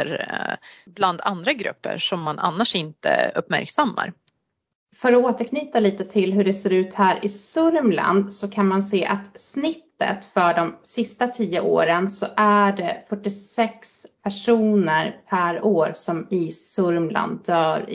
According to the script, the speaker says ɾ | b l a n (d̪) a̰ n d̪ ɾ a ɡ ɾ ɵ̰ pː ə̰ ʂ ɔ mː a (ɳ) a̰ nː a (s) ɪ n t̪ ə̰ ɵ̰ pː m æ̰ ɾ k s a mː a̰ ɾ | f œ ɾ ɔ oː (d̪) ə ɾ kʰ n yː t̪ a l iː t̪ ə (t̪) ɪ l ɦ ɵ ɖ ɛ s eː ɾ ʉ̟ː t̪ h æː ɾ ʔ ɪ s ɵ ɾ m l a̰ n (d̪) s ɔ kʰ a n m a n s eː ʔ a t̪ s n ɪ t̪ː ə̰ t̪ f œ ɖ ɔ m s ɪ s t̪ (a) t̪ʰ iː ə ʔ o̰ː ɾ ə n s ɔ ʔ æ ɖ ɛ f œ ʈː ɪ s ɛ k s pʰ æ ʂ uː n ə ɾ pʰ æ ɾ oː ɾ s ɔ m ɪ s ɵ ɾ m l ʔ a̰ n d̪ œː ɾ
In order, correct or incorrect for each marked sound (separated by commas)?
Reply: correct, incorrect, incorrect, incorrect, incorrect, correct, correct